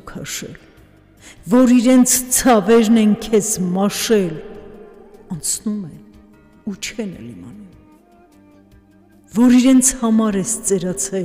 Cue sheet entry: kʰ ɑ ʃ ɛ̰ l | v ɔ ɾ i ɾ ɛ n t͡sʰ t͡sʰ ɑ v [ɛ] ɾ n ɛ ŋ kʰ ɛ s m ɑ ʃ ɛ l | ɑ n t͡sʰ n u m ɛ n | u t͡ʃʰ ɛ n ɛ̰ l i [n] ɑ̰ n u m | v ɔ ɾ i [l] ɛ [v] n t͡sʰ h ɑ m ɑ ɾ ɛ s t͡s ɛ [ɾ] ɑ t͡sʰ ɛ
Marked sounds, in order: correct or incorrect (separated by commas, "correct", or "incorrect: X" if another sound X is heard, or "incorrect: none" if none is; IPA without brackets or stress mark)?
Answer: correct, incorrect: m, incorrect: ɾ, incorrect: none, correct